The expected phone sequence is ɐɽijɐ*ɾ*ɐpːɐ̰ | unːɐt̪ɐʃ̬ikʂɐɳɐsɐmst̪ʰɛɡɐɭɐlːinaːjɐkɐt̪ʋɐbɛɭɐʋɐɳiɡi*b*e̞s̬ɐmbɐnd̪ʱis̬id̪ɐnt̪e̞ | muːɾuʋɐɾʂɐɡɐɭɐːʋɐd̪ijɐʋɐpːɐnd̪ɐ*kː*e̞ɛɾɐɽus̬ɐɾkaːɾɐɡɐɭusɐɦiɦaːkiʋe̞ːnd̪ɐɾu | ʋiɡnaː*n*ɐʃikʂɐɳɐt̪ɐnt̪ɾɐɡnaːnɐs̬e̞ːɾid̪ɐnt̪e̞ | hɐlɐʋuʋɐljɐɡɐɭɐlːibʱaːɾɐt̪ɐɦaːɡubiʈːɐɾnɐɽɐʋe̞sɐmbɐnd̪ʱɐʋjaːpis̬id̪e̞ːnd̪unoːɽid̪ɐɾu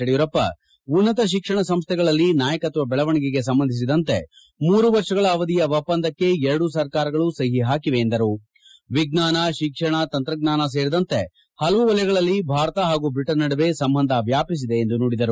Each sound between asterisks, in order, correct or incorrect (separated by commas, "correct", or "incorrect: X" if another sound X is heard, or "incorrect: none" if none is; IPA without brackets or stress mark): correct, incorrect: ɡ, correct, correct